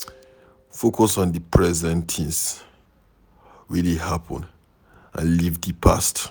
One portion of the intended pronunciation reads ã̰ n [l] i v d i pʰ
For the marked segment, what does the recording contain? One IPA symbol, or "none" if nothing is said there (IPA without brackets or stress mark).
l